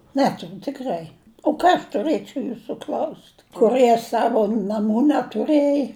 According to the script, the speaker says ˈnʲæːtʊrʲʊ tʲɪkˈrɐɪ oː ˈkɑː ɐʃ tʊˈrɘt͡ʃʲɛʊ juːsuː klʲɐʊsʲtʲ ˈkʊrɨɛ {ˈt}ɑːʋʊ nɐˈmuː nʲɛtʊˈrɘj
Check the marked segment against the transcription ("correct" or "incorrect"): incorrect